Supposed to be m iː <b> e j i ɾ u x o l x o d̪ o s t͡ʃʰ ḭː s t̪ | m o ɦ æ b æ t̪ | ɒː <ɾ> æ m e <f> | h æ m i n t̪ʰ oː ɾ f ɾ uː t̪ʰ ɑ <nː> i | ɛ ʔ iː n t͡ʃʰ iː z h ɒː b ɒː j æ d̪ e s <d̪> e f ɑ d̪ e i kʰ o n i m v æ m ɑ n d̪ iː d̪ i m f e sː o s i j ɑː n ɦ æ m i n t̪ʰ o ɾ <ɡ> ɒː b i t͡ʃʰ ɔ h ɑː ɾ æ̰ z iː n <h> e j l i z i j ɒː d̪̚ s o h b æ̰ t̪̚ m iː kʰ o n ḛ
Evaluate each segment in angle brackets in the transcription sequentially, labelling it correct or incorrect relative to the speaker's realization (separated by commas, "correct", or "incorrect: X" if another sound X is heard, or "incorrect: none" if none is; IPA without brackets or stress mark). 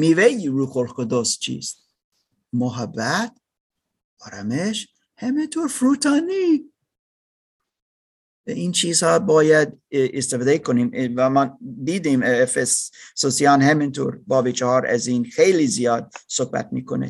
incorrect: v, correct, incorrect: ʃ, incorrect: n, incorrect: t̪, incorrect: b, incorrect: x